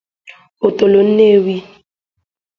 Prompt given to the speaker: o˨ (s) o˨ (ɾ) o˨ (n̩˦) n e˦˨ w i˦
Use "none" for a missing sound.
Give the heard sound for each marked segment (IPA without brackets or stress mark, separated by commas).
t, l, n̩˦